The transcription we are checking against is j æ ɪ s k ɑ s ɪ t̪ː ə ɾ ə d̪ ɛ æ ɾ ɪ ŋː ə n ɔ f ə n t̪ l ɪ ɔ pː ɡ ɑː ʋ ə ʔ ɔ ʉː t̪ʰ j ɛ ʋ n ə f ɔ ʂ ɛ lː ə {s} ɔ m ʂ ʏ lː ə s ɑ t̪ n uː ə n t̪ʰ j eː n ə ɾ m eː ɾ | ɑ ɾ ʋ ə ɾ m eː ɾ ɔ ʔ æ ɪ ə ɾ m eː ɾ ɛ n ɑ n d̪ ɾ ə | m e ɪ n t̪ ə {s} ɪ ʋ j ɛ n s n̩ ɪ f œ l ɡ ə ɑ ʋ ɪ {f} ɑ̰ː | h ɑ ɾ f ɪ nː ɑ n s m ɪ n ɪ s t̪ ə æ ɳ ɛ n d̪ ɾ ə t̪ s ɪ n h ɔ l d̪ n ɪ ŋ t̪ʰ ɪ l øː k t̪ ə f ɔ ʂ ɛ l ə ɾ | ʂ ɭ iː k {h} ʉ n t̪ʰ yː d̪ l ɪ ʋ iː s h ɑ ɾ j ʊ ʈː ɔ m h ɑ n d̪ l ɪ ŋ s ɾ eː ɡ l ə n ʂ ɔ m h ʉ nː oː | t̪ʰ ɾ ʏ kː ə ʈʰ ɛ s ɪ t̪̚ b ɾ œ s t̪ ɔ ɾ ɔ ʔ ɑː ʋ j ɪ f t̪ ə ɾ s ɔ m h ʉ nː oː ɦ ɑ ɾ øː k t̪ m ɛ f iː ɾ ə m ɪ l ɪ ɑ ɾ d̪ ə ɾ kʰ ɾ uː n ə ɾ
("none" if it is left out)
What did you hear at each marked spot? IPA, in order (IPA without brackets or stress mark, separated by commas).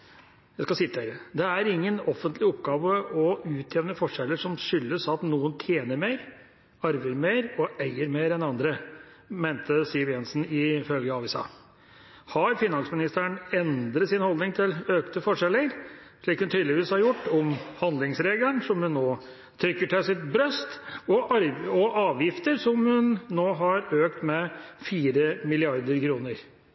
ʂ, s, s, h